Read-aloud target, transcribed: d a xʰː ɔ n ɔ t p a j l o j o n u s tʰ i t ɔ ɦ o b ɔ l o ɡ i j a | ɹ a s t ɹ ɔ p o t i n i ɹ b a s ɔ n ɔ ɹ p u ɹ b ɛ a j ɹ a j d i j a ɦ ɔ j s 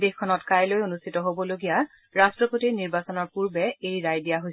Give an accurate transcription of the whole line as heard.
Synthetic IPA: d e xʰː ɔ n ɔ t k a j l o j o n u s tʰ i t ɔ ɦ o b ɔ l o ɡ i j a | ɹ a s t ɹ ɔ p o t i n i ɹ b a s ɔ n ɔ ɹ p u ɹ b ɛ e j ɹ a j d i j a ɦ o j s